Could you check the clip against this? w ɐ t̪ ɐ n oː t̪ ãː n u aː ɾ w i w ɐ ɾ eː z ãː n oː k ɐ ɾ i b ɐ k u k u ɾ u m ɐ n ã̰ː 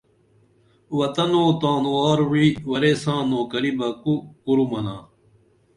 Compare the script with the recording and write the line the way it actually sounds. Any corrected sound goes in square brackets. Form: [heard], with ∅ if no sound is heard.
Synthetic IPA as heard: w ɐ t̪ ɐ n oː t̪ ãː n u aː ɾ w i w ɐ ɾ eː [s] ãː n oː k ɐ ɾ i b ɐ k u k u ɾ u m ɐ n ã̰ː

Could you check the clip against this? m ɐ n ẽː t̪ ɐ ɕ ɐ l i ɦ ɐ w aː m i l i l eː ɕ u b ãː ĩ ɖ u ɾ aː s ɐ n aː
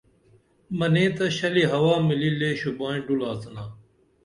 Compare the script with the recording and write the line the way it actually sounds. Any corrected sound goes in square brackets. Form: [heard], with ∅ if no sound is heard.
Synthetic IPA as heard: m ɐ n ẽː t̪ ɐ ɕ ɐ l i ɦ ɐ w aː m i l i l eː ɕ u b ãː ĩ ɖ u [l] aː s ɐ n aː

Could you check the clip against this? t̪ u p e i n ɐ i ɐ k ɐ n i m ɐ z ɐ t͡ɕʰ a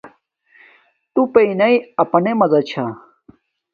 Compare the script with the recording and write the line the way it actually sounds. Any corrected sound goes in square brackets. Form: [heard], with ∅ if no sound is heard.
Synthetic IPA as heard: t̪ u p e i n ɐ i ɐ [p] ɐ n [e] m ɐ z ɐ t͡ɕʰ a

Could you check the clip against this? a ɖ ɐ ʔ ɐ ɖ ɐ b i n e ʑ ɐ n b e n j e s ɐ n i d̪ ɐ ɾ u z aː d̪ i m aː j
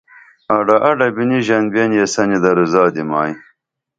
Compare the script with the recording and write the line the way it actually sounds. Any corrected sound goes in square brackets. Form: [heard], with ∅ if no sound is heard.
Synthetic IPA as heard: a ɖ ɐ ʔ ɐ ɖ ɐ b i n [i] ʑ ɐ n b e n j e s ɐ n i d̪ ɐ ɾ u z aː d̪ i m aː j

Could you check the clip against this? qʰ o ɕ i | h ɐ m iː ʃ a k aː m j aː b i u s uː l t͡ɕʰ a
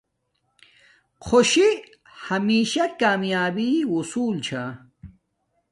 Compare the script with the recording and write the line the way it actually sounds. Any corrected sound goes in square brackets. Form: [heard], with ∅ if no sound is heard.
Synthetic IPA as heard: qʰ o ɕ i | h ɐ m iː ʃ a k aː m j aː b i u s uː l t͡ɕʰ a

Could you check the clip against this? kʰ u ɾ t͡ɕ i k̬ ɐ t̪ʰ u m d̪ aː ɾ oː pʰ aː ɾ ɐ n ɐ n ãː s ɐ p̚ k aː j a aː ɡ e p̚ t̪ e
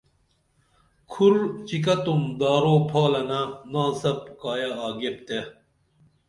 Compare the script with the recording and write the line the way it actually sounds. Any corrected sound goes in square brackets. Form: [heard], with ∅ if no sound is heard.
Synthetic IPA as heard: kʰ u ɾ t͡ɕ i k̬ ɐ [t̪] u m d̪ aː ɾ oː pʰ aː [l] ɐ n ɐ n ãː s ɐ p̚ k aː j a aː ɡ e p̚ t̪ e

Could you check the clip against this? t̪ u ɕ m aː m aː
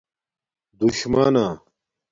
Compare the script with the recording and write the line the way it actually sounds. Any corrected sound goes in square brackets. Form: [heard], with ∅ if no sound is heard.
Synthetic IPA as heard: [d̪] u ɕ m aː [n] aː

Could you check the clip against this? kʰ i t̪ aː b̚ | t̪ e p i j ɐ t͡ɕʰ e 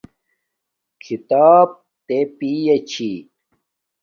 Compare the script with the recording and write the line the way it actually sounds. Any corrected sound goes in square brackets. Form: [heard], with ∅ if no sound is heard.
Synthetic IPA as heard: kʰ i t̪ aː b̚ | t̪ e p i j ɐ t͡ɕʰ [i]

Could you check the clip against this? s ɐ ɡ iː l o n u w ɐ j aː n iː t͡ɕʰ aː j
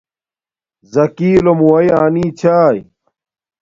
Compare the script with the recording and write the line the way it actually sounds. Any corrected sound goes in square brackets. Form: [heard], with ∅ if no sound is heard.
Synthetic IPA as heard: [z] ɐ [k] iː l o [m] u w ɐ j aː n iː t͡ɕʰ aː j

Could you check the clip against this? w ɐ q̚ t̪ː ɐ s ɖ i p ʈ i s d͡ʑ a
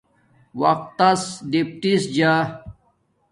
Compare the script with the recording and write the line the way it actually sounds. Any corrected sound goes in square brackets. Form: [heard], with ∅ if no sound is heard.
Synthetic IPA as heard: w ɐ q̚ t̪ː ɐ s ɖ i p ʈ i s d͡ʑ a

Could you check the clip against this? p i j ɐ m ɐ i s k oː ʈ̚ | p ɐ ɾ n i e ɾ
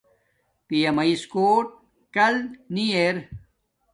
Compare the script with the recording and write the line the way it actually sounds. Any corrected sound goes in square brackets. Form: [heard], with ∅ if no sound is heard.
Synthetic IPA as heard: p i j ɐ m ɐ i s k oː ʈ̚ | [k] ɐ [l] n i e ɾ

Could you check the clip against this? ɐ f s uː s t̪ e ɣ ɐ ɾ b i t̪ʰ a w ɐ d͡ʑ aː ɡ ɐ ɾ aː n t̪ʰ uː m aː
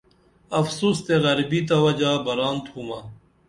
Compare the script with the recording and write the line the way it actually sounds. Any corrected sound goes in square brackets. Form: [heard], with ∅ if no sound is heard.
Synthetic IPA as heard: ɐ f s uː s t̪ e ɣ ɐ ɾ b i [t̪] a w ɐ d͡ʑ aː [b] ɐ ɾ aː n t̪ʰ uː m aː

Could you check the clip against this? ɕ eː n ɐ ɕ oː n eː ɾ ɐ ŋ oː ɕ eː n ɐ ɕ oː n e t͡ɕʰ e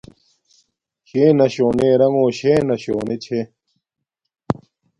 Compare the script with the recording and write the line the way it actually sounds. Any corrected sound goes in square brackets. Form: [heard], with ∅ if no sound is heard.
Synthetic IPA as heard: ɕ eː n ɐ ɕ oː n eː ɾ ɐ ŋ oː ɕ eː n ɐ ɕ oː n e t͡ɕʰ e

